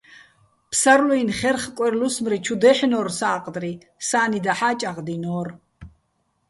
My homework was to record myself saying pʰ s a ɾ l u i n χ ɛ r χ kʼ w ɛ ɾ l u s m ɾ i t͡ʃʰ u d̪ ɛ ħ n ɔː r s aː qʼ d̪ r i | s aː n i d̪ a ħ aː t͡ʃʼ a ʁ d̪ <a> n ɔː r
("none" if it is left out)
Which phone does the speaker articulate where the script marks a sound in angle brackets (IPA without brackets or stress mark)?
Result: i